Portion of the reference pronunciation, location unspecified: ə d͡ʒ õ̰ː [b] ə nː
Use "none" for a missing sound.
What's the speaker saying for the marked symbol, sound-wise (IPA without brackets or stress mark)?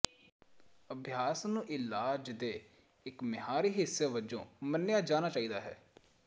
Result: m